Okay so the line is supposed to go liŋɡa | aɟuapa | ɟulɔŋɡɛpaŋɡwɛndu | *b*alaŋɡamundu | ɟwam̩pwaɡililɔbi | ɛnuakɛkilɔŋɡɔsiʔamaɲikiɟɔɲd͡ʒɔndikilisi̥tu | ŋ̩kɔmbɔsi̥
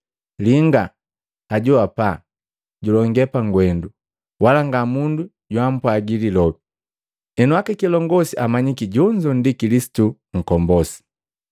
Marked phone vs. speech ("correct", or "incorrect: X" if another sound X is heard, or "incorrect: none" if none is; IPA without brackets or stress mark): incorrect: w